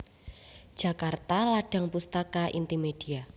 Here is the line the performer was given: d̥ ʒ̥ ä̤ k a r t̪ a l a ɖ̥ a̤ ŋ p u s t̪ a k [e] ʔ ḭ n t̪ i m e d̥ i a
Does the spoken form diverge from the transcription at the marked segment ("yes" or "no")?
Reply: yes